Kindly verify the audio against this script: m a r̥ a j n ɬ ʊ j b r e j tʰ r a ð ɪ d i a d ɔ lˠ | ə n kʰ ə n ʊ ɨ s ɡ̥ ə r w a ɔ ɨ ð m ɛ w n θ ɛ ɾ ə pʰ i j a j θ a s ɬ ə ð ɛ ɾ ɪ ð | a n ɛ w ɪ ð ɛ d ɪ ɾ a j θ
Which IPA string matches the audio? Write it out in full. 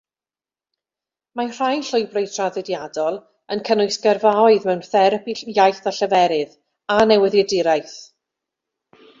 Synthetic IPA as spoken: m a r̥ a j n ɬ ʊ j b r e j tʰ r a ð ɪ d j a d ɔ lˠ | ə n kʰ ə n ʊ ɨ s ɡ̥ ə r v a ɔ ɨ ð m ɛ w n θ ɛ ɾ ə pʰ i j a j θ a ɬ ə v ɛ ɾ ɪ ð | a n ɛ w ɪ ð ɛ d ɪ ɾ a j θ

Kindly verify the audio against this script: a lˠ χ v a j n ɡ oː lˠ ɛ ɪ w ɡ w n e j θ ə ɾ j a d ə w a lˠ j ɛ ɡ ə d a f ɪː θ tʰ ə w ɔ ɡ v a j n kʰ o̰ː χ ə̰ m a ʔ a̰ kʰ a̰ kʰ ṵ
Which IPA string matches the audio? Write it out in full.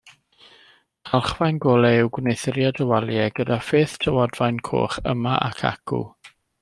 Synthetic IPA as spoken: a lˠ χ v a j n ɡ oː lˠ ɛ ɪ w ɡ w n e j θ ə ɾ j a d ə w a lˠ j ɛ ɡ ə d a f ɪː θ tʰ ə w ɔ d v a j n kʰ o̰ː χ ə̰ m a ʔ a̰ kʰ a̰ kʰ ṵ

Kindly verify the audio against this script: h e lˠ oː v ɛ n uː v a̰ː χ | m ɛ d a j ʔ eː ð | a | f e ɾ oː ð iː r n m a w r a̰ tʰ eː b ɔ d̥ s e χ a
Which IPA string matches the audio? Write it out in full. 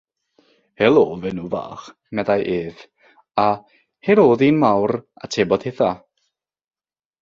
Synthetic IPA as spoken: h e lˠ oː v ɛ n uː v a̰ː χ | m ɛ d a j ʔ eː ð | a | h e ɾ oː ð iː n m a w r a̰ tʰ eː b ɔ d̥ h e θ a

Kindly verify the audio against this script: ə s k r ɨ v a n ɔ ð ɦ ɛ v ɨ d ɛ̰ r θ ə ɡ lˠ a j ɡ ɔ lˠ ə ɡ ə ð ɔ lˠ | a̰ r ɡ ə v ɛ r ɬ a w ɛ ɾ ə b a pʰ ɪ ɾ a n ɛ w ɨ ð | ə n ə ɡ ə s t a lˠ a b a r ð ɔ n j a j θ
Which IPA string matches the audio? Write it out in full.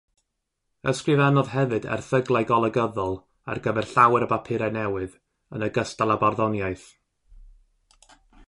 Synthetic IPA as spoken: ə s k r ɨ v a n ɔ ð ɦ ɛ v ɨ d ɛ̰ r θ ə ɡ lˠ a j ɡ ɔ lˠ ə ɡ ə ð ɔ lˠ | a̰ r ɡ ə v ɛ r ɬ a w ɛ ɾ ə b a pʰ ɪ ɾ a n ɛ w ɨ ð | ə n ə ɡ ə s t a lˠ a b a r ð ɔ n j a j θ

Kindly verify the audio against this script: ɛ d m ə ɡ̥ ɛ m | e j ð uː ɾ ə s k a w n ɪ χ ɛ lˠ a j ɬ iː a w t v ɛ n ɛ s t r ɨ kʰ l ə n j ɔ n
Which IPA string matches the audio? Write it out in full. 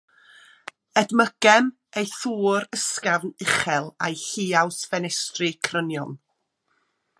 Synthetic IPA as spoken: ɛ d m ə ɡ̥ ɛ m | e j θ uː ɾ ə s k a v n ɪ χ ɛ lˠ a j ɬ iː a w s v ɛ n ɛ s t r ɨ kʰ r ə n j ɔ n

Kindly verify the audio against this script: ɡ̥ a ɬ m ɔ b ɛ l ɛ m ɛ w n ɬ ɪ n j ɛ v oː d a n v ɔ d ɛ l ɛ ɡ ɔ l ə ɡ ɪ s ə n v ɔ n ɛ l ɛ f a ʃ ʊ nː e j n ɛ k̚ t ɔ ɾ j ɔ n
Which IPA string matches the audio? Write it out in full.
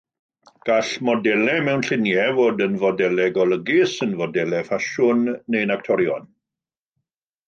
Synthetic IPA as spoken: ɡ̥ a ɬ m ɔ d ɛ l ɛ m ɛ w n ɬ ɪ n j ɛ v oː d ə n v ɔ d ɛ l ɛ ɡ ɔ l ə ɡ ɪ s ə n v ɔ d ɛ l ɛ f a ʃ ʊ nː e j n a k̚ tʰ ɔ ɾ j ɔ n

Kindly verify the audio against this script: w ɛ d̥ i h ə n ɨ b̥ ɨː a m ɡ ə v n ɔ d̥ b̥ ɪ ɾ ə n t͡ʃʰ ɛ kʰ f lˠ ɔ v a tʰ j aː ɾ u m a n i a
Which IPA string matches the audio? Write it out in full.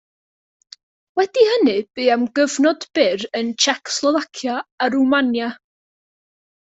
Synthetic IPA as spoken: w ɛ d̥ i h ə n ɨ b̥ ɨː a m ɡ ə v n ɔ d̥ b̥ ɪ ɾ ə n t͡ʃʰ ɛ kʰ s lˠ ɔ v a kʰ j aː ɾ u m a n j a

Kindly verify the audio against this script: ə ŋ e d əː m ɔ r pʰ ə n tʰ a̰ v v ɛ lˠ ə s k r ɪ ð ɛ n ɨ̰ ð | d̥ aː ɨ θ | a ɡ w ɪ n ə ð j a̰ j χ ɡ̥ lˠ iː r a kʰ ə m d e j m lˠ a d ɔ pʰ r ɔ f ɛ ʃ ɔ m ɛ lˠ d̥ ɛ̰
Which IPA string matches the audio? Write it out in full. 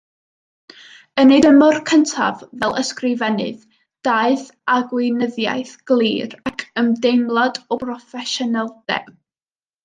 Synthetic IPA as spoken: ə n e d ə m ɔ r kʰ ə n tʰ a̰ v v ɛ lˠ ə s k r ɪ v ɛ n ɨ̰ ð | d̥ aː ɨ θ | a ɡ w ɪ n ə ð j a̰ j θ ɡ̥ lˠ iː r a kʰ ə m d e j m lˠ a d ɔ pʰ r ɔ f ɛ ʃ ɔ n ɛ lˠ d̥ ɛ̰

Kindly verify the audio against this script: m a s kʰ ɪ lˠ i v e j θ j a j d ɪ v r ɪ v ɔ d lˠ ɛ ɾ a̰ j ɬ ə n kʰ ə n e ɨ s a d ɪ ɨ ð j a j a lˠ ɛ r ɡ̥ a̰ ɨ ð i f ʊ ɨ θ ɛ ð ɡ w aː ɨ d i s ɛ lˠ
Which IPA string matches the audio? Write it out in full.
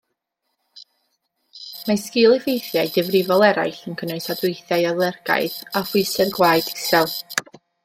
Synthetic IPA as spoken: m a s k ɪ lˠ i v e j θ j a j d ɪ v r ɪ v ɔ lˠ ɛ ɾ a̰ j ɬ ə n kʰ ə n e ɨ s a d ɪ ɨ θ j a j a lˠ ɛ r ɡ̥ a̰ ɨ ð a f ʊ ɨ s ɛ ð ɡ w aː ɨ d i s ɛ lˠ

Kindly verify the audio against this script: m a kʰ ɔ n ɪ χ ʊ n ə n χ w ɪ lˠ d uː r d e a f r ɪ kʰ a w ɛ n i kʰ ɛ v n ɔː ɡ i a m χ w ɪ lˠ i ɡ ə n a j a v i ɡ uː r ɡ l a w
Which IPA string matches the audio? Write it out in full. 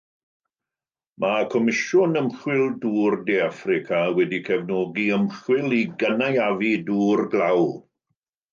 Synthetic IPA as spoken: m a kʰ ɔ m ɪ ʃ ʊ n ə m χ w ɪ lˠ d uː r d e a f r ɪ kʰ a w ɛ d i kʰ ɛ v n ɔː ɡ i ə m χ w ɪ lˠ i ɡ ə n a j a v i d uː r ɡ l a w

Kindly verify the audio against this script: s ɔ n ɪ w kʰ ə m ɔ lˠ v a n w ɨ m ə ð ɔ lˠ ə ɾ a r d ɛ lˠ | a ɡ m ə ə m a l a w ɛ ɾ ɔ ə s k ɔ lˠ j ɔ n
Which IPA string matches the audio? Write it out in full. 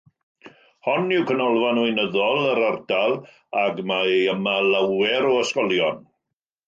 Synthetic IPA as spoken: h ɔ n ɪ w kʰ ə n ɔ lˠ v a n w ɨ n ə ð ɔ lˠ ə ɾ a r d a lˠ | a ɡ m a ə m a l a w ɛ ɾ ɔ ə s k ɔ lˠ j ɔ n

